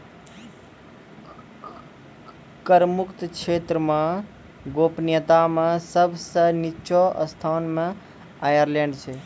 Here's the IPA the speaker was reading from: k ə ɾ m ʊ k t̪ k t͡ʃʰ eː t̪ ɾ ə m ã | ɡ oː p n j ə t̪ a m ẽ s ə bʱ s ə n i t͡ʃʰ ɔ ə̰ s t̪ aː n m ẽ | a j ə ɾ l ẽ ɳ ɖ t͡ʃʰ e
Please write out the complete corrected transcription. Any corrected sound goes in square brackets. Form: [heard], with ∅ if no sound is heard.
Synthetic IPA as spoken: k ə ɾ m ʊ k t̪ k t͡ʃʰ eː t̪ ɾ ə m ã | ɡ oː p n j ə t̪ a m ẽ s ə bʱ s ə n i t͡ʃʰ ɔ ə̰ s [t̪ʰ] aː n m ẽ | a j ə ɾ l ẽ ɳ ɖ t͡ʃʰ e